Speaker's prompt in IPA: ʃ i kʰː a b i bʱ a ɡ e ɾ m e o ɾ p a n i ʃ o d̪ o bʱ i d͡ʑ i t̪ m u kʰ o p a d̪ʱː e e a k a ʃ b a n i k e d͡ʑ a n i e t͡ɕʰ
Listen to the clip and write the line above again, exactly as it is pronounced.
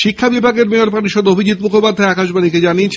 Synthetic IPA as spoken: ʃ i kʰː a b i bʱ a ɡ e ɾ m e o ɾ p a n i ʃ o d̪ o bʱ i d͡ʑ i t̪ m u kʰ o p a d̪ʱː a e a k a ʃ b a n i k e d͡ʑ a n i e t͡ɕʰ